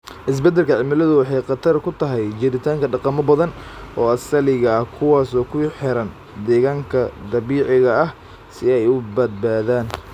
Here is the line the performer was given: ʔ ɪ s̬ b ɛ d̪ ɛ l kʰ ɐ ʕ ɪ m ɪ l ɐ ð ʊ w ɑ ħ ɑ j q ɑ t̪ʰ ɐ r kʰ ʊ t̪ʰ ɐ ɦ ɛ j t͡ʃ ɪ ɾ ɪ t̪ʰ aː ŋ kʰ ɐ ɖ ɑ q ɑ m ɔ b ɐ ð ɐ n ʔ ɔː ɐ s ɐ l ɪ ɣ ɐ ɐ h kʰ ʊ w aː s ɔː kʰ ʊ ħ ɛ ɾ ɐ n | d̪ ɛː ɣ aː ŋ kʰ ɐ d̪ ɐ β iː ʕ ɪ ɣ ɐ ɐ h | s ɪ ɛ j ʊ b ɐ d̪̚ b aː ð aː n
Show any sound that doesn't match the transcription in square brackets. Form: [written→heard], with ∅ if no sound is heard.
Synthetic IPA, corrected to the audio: ʔ ɪ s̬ b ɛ d̪ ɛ l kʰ ɐ ʕ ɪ m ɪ l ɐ ð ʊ w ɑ ħ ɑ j q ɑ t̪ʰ ɐ r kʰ ʊ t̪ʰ ɐ ɦ ɛ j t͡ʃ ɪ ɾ ɪ t̪ʰ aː ŋ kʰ ɐ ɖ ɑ q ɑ m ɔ b ɐ ð ɐ n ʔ ɔː ɐ s ɐ l ɪ ɣ ɐ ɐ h kʰ ʊ w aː s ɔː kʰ ʊ ħ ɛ ɾ ɐ n | d̪ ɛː ɣ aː ŋ kʰ ɐ d̪ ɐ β iː ʕ ɪ ɣ ɐ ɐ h | s ɪ ɛ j ʊ b ɐ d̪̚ b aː ð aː n